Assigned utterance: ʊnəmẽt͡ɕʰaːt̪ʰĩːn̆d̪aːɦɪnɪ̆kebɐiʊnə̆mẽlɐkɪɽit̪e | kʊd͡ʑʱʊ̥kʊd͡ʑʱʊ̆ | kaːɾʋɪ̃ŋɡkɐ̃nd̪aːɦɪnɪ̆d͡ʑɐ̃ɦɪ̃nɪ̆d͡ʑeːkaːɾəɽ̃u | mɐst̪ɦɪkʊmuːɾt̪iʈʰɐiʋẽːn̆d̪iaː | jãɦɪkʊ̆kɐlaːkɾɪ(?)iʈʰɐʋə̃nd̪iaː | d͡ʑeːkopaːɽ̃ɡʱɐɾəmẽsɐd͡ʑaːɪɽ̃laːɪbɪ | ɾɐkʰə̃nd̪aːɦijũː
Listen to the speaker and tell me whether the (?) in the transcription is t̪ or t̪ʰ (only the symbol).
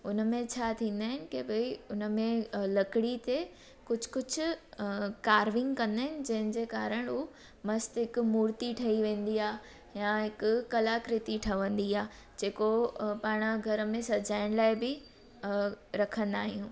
t̪